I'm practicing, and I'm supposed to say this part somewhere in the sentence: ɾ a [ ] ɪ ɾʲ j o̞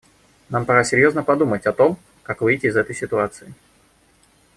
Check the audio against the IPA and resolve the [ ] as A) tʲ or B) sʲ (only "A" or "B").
B